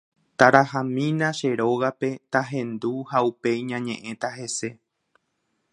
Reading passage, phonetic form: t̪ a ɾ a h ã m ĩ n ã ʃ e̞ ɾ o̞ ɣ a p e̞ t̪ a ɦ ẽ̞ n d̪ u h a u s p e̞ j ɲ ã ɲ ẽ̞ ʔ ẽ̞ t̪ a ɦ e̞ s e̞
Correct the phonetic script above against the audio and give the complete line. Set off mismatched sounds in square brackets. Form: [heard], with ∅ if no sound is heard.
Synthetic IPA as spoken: t̪ a ɾ a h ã m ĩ n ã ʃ e̞ ɾ o̞ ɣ a p e̞ t̪ a ɦ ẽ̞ n d̪ u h a u [∅] p e̞ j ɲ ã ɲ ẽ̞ ʔ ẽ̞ t̪ a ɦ e̞ s e̞